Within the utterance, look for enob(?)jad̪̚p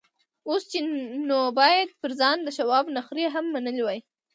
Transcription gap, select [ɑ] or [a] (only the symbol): ɑ